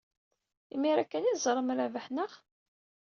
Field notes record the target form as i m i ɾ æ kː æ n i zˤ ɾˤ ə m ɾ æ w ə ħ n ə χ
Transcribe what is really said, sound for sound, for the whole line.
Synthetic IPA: i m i ɾ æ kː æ n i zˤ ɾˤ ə m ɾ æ v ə ħ n ə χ